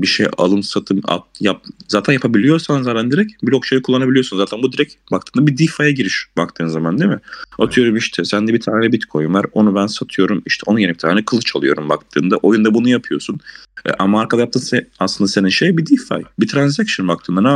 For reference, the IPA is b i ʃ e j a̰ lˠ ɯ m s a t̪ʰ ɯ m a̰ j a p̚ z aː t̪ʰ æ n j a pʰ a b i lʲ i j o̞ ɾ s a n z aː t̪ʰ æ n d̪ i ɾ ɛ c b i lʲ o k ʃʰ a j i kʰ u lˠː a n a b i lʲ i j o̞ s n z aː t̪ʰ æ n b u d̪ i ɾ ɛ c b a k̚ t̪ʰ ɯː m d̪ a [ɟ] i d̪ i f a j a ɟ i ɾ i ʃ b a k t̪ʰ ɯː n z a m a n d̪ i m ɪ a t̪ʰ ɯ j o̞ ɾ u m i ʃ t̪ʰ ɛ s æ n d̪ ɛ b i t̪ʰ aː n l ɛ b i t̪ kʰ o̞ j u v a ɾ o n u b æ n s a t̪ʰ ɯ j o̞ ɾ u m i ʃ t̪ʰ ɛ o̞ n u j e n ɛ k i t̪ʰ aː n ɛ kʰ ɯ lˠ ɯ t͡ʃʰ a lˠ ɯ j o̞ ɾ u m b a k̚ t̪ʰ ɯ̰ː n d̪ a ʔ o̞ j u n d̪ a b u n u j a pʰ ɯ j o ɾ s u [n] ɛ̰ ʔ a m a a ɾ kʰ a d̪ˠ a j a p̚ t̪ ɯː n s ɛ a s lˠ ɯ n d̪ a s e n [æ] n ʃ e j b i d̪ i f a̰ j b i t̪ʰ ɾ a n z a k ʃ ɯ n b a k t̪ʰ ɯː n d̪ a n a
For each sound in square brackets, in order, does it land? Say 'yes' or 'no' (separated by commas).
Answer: no, yes, no